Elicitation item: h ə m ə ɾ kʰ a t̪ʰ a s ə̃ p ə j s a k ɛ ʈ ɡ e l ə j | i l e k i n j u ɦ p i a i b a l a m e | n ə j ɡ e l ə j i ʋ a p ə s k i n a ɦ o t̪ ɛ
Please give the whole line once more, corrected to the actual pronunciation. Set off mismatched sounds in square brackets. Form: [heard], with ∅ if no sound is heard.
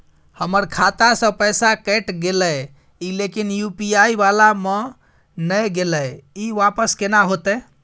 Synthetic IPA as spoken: h ə m ə ɾ kʰ a [t̪] a s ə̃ p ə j s a k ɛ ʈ ɡ e l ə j | i l e k i n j u [∅] p i a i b a l a m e | n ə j ɡ e l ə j i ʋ a p ə s k [e] n a ɦ o t̪ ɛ

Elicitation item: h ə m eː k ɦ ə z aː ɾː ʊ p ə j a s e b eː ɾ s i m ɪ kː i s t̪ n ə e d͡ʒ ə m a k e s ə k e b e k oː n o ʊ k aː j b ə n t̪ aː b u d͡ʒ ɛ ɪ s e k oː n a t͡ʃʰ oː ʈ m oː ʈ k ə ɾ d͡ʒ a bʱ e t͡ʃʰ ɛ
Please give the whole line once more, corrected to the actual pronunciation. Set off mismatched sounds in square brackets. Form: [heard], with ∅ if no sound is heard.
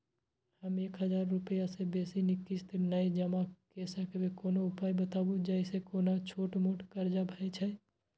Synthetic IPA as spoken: h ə m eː k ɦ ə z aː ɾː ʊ p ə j a s e b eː [∅] s i [n] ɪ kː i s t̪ n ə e d͡ʒ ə m a k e s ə k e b e k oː n o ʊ [p] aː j b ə [∅] t̪ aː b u d͡ʒ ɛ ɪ s e k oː n a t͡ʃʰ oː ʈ m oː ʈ k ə ɾ d͡ʒ a bʱ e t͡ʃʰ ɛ

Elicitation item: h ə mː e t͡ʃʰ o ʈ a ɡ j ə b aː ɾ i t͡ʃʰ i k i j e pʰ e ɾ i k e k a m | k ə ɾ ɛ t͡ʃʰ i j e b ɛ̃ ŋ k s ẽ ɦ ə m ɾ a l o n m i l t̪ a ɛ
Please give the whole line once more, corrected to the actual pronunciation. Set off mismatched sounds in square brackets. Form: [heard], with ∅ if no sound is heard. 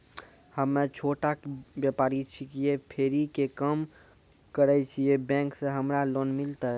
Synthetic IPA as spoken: h ə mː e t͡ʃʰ o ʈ a [b] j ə [p] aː ɾ i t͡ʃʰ i k i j e pʰ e ɾ i k e k [ə] m | k ə ɾ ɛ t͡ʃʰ i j e b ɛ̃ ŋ k s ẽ ɦ ə m ɾ a l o n m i l t̪ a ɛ

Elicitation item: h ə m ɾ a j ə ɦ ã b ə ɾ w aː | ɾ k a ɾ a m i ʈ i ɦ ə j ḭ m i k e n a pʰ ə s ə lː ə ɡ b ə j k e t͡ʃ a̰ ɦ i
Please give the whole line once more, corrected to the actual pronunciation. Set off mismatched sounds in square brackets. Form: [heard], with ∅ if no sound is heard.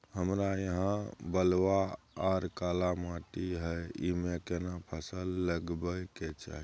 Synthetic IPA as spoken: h ə m ɾ a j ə ɦ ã b ə [l] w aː | ɾ k a [l] a m [a] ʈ i ɦ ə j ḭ m [e] k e n a pʰ ə s ə lː ə ɡ b ə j k e t͡ʃ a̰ ɦ i

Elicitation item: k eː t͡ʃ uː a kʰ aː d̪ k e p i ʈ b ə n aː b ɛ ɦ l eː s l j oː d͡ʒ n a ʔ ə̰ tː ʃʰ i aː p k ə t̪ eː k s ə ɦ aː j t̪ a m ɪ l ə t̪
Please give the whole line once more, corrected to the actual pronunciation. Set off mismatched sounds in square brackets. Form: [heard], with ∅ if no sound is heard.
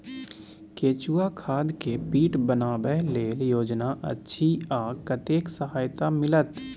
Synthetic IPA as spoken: k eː t͡ʃ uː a kʰ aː d̪ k e p [iː] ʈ b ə n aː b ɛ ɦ l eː [∅] l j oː d͡ʒ n a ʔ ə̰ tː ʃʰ i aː [∅] k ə t̪ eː k s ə ɦ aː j t̪ a m ɪ l ə t̪

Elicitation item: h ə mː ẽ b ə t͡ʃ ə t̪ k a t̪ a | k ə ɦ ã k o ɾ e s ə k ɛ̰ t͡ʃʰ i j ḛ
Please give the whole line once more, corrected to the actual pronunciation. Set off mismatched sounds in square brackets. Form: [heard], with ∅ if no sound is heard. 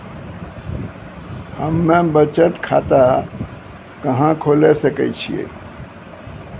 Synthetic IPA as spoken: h ə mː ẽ b ə t͡ʃ ə t̪ [kʰ] a t̪ a | k ə ɦ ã [kʰ] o [l] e s ə k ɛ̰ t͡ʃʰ i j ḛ

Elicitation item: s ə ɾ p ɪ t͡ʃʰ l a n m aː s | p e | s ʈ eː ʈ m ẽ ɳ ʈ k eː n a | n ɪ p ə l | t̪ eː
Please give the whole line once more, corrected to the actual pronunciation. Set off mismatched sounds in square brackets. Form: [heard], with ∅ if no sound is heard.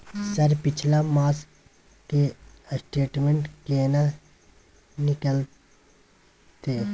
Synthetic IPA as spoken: s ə ɾ p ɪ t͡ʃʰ l a [∅] m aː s | [k] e | s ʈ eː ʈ m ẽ ɳ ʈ k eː n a | n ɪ [k] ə l | t̪ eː

